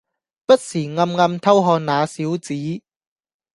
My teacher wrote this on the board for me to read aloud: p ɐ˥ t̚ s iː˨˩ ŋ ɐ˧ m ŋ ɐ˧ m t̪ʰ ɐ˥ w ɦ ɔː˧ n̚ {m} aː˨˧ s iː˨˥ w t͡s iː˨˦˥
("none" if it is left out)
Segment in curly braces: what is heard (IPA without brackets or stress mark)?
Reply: n